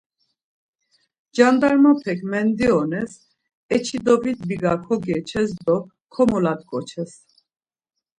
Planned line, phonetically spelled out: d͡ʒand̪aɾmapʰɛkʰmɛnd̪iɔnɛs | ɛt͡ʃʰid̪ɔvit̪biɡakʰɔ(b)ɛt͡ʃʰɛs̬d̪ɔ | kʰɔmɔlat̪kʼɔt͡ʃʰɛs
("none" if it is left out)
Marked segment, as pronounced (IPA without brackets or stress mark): ɡ